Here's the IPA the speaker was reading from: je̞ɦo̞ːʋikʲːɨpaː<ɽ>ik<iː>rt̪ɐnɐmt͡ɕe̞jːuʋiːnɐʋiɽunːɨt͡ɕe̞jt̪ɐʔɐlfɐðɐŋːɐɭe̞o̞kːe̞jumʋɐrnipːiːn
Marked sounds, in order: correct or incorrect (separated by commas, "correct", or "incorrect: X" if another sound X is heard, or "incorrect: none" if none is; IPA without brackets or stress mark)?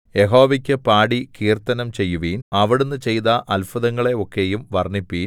correct, correct